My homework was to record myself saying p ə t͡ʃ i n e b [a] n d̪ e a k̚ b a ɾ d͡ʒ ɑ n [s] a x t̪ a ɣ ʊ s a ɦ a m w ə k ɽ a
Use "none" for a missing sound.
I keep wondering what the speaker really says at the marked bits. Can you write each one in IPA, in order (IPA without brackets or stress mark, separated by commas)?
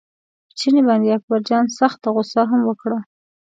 ɑ, s